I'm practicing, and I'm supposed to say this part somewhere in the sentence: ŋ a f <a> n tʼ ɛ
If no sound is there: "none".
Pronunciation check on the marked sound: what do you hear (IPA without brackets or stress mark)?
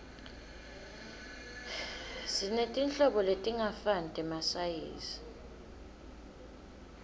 a